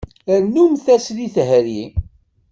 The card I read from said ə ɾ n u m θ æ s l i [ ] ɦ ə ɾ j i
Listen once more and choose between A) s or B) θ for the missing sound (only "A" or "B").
B